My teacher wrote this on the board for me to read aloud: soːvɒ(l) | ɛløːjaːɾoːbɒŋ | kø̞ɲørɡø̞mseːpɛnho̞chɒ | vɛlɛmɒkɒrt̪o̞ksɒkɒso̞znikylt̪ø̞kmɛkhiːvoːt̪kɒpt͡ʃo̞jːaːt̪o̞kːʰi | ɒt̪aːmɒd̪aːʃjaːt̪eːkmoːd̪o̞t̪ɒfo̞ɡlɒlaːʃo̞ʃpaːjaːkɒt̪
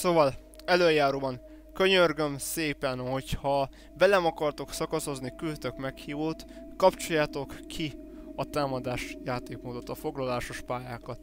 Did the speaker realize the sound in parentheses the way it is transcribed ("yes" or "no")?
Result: yes